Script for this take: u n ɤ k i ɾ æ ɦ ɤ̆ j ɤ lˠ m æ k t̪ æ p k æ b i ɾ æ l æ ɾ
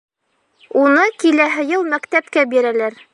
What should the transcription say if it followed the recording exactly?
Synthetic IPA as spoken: u n ɤ k i l æ ɦ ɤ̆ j ɤ lˠ m æ k t̪ æ p k æ b i ɾ æ l æ ɾ